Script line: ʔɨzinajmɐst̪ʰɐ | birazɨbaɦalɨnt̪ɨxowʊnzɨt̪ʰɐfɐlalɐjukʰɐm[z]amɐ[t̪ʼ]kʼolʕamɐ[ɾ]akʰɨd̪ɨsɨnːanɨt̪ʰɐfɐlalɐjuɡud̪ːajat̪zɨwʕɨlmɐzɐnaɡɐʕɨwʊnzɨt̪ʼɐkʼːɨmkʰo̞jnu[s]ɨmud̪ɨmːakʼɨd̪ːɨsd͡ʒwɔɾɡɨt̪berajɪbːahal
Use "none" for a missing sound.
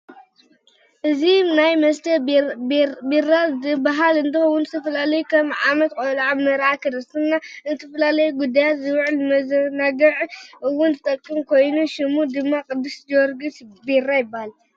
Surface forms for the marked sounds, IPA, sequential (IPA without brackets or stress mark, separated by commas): ʕ, t̪, ɾ, ʃ